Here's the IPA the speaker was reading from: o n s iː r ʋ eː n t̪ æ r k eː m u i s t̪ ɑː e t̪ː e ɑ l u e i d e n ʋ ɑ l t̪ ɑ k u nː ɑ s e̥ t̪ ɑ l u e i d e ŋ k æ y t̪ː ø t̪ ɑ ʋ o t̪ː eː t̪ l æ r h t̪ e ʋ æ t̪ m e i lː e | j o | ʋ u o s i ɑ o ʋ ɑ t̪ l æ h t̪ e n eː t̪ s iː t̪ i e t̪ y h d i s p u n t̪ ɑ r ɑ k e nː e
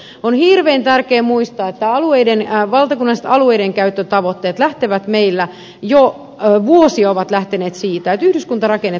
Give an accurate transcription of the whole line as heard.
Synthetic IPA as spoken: o n h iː r ʋ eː n t̪ æ r k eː m u i s t̪ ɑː e t̪ː æ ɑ l u e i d e n ʋ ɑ l t̪ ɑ k u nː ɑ s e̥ t̪ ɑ l u e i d e ŋ k æ y t̪ː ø t̪ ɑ ʋ o t̪ː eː t̪ l æ h t̪ e ʋ æ t̪ m e i lː æ | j o | ʋ u o s i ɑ o ʋ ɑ t̪ l æ h t̪ e n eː t̪ s iː t̪ æ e t̪ y h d y s k u n t̪ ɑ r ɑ k e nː e